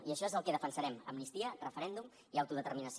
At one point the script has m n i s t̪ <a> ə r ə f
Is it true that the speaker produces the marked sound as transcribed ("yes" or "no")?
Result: no